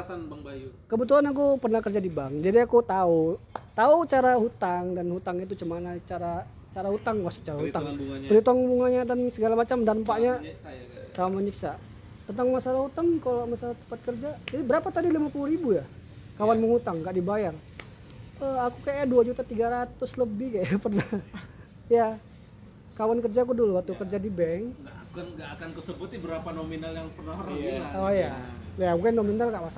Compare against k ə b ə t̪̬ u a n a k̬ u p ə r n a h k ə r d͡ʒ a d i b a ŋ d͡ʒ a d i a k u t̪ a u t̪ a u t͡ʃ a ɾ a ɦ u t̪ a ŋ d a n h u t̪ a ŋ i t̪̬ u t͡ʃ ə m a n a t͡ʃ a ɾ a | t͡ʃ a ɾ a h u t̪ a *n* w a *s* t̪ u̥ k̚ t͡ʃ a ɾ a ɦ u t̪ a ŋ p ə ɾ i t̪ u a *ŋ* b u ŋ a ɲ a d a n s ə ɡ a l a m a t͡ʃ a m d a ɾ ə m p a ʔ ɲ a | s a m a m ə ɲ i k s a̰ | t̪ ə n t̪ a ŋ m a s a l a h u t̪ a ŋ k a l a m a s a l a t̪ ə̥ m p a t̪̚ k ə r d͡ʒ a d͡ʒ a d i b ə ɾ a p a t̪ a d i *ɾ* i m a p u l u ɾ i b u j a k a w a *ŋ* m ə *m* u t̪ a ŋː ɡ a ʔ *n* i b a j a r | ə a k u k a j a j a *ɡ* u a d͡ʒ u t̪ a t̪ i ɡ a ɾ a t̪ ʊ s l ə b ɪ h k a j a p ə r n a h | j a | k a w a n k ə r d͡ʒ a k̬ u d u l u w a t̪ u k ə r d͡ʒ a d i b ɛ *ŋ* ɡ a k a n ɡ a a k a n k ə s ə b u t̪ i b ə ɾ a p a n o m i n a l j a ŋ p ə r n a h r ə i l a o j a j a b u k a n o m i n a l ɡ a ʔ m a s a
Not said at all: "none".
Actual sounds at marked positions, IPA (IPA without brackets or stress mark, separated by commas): ŋ, s, ŋ, l, n, ŋ, d, d, ŋ